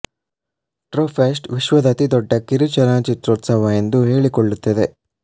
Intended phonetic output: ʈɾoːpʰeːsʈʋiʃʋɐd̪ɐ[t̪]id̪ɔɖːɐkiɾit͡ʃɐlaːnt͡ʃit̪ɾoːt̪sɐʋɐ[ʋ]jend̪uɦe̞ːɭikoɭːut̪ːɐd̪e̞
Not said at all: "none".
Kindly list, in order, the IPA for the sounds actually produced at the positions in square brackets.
t̪, none

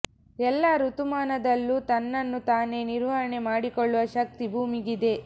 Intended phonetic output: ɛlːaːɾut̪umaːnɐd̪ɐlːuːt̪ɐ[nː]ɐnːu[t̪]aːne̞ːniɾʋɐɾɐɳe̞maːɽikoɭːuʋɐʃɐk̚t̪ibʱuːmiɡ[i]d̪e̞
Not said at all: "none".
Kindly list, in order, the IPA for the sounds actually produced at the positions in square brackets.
nː, t̪, i

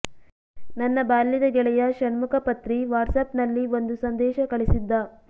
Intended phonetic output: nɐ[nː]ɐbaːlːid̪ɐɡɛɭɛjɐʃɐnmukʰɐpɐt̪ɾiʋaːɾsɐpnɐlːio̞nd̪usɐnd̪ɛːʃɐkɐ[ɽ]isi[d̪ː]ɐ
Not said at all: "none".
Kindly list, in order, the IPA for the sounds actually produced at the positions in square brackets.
nː, ɭ, d̪ː

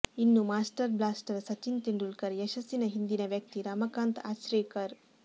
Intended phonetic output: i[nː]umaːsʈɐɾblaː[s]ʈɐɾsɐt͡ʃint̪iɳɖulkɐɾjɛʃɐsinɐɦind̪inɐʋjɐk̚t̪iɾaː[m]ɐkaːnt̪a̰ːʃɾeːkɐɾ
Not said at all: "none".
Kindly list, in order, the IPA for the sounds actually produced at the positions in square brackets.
nː, s, m

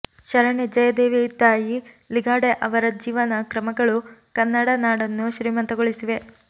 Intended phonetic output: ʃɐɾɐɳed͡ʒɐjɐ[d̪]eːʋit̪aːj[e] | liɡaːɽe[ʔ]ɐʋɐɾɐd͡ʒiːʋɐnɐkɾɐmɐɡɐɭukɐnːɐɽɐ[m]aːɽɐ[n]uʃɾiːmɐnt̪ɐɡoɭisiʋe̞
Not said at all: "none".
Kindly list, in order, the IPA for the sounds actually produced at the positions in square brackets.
d̪, i, ʔ, n, nː

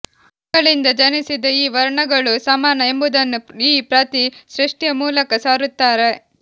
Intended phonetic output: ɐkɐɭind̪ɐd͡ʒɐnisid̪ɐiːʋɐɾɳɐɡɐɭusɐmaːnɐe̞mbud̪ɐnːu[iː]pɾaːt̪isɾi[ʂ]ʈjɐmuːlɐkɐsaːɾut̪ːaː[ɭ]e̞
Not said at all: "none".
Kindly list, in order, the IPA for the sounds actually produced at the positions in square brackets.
iː, ʂ, ɾ

